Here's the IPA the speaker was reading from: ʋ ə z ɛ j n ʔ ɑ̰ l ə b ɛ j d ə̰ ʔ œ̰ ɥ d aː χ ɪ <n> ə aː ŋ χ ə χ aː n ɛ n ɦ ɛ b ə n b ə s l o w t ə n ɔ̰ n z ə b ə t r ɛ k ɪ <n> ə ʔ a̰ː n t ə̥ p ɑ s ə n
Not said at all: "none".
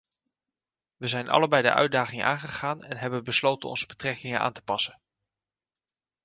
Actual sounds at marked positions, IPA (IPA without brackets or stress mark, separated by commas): ŋ, ŋ